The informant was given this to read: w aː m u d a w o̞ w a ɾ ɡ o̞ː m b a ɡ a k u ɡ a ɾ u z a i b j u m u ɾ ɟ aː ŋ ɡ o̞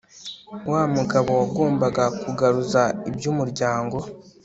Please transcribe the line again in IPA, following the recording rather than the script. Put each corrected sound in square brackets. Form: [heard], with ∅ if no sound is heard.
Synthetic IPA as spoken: w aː m u [ɡ] a [β] o̞ w a [∅] ɡ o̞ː m b a ɡ a k u ɡ a ɾ u z a i b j u m u ɾ ɟ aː ŋ ɡ o̞